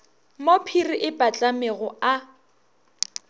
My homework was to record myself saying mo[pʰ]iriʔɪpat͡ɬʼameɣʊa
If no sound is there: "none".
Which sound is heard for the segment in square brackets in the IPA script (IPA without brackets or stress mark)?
pʰ